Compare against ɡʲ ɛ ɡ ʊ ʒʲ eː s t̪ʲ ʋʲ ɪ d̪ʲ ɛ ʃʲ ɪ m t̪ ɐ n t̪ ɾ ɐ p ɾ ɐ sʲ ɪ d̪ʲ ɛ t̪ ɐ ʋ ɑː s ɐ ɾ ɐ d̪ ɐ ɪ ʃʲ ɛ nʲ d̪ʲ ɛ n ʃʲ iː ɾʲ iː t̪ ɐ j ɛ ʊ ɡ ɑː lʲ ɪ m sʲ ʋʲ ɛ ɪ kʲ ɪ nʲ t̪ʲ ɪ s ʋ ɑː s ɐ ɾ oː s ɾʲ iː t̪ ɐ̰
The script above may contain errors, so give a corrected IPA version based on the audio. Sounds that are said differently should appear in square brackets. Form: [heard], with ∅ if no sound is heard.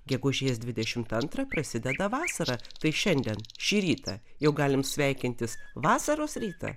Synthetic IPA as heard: ɡʲ ɛ ɡ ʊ ʒʲ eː s [d̪ʲ] ʋʲ ɪ d̪ʲ ɛ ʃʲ ɪ m t̪ ɐ n t̪ ɾ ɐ p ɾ ɐ sʲ ɪ d̪ʲ ɛ [d̪] ɐ ʋ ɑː s ɐ ɾ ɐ [t̪] ɐ ɪ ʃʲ ɛ nʲ d̪ʲ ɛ n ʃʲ iː ɾʲ iː t̪ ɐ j ɛ ʊ ɡ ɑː lʲ ɪ m sʲ ʋʲ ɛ ɪ kʲ ɪ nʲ t̪ʲ ɪ s ʋ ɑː s ɐ ɾ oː s ɾʲ iː t̪ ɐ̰